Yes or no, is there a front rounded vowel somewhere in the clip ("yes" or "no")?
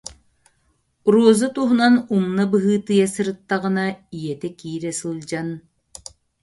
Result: no